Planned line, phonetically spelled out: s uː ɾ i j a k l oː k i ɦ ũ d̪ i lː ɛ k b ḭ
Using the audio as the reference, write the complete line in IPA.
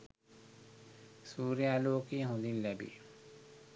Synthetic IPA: s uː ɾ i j a l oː k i ɦ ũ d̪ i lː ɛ b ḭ